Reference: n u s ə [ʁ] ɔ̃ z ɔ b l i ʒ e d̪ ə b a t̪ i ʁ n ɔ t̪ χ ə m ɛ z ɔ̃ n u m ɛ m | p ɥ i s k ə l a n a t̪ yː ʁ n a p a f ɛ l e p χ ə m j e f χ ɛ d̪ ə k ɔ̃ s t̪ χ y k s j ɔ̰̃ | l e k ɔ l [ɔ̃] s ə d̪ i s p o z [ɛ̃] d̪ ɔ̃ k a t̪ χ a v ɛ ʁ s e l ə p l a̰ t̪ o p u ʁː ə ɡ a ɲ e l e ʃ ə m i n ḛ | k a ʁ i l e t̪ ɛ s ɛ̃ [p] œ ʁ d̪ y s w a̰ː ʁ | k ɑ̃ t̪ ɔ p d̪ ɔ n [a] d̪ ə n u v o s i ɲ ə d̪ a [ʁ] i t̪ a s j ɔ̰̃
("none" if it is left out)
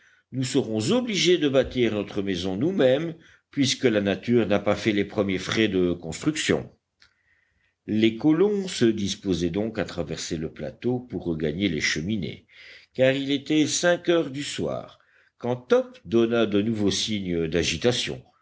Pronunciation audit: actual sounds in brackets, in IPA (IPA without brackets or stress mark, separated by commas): ʁ, ɔ̃, ɛ, k, a, ʒ